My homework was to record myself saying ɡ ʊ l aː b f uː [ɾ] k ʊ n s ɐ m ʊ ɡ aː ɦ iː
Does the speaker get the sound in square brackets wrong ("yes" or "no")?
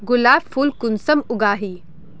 yes